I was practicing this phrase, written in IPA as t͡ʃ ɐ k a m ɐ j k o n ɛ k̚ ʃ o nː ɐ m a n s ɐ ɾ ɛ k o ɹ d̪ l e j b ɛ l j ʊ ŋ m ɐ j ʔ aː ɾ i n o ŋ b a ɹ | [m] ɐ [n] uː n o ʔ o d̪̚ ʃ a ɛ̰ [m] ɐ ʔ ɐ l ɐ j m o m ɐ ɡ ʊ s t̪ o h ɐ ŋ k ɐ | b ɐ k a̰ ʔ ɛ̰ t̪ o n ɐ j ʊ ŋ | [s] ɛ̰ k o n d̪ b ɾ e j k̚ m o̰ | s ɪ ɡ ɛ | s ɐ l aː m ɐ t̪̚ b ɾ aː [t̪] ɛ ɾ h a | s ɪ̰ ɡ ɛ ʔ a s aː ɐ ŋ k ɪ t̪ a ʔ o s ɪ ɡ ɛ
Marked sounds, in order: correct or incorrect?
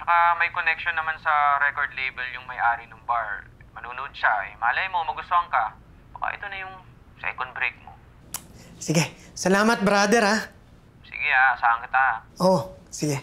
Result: correct, correct, correct, correct, incorrect

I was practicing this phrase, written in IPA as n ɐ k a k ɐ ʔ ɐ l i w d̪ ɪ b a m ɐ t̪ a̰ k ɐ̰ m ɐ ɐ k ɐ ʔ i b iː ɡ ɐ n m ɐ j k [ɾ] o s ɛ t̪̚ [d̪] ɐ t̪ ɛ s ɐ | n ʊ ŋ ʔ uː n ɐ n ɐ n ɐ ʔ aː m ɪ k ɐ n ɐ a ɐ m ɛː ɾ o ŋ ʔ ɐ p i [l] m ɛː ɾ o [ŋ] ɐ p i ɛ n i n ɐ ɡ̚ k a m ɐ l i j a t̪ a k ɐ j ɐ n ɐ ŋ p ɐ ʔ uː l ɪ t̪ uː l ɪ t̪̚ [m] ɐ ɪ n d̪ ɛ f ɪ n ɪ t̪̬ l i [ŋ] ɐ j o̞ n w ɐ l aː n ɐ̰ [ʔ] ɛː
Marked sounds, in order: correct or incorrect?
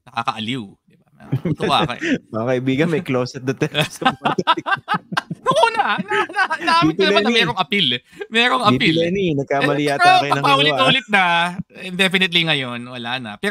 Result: incorrect, correct, correct, correct, incorrect, correct, incorrect

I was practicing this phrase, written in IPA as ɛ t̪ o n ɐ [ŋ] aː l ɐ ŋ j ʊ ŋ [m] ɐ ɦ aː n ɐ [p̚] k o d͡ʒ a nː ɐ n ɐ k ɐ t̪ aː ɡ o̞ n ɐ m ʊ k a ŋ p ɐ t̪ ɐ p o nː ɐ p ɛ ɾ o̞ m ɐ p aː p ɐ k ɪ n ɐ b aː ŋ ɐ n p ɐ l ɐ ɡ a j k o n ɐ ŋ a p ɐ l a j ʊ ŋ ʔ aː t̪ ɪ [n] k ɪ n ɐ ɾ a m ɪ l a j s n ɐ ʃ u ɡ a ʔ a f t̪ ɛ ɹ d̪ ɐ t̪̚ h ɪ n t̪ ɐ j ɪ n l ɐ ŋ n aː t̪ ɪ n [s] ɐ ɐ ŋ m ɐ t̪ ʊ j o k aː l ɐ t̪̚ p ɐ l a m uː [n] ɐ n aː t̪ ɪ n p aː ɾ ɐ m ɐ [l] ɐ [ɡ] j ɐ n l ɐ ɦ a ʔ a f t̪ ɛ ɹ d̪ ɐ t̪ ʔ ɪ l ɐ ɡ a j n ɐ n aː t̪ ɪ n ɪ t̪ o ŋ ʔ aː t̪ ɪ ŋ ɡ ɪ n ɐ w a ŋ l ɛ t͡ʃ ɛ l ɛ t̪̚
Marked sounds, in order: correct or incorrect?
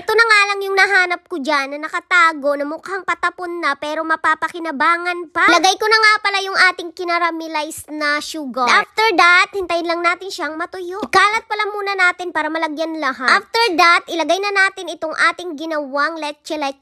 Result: correct, incorrect, correct, incorrect, incorrect, correct, correct, correct

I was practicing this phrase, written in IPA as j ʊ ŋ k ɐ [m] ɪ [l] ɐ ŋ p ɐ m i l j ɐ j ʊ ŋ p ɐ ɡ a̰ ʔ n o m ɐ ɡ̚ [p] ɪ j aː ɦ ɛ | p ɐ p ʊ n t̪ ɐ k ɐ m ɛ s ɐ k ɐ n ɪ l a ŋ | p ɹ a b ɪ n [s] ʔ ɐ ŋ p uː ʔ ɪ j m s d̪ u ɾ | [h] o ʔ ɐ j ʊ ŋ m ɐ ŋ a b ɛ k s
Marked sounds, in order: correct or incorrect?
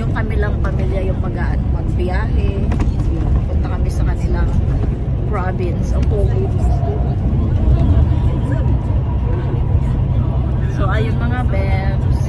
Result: correct, correct, incorrect, correct, incorrect

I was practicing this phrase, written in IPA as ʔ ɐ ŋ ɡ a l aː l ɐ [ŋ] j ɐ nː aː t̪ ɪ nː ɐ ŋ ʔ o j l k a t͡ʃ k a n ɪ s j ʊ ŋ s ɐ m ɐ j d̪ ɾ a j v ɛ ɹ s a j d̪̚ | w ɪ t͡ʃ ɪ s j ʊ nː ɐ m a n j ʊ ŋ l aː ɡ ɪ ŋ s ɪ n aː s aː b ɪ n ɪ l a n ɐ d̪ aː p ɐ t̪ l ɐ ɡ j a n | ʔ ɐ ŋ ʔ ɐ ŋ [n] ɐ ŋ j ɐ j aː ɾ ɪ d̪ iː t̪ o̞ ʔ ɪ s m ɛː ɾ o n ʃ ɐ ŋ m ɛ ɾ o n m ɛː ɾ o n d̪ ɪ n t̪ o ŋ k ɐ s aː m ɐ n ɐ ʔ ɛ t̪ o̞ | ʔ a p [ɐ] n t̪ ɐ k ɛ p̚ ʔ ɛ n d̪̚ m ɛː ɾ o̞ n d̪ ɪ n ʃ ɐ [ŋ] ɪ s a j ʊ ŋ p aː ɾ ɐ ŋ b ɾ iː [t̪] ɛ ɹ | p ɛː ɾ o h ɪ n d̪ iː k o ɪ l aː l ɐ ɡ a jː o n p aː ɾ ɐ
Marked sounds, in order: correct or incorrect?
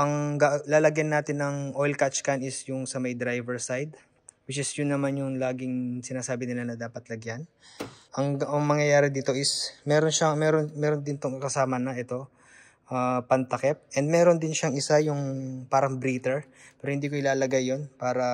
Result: incorrect, incorrect, correct, correct, correct

